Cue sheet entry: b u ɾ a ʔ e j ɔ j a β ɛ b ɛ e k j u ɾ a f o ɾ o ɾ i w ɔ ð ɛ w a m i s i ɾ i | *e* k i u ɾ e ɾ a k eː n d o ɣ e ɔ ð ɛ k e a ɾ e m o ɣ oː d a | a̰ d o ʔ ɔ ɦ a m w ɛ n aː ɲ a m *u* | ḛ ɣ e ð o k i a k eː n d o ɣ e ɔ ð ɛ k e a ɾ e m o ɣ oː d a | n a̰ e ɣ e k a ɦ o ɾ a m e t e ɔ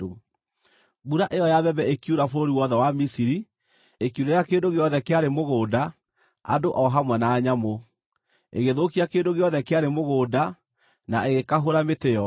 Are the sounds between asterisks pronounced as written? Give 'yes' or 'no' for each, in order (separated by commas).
yes, no